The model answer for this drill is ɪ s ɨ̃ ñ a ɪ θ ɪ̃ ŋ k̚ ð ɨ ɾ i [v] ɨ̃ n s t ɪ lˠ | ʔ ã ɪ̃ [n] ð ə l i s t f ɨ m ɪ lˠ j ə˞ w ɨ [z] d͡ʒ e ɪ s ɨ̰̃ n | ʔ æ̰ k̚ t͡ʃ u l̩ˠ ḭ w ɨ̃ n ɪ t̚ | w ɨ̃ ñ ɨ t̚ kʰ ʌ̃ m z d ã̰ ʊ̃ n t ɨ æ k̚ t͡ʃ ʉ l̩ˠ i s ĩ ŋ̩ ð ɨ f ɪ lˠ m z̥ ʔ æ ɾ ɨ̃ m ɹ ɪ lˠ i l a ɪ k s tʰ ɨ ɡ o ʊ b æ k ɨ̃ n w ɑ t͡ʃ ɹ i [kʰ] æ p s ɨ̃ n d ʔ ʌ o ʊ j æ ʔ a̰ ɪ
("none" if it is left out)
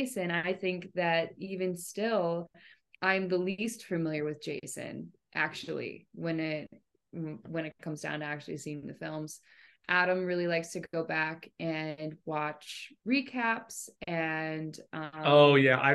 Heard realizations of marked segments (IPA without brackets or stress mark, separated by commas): v, m, ð, kʰ